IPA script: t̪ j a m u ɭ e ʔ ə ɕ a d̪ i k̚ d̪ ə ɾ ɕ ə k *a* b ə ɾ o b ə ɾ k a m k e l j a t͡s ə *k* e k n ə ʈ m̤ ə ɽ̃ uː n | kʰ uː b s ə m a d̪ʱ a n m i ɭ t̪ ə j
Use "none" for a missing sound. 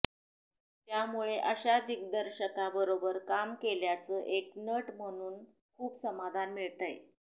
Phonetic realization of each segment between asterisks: a, ʔ

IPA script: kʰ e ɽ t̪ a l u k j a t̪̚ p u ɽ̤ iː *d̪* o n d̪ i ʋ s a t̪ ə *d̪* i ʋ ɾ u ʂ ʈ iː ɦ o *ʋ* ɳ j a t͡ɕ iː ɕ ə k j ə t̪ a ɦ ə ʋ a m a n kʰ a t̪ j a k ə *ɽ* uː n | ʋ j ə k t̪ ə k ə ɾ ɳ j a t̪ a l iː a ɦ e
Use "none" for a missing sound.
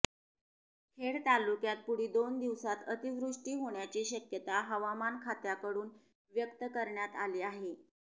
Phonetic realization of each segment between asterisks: d̪, t̪, none, ɽ

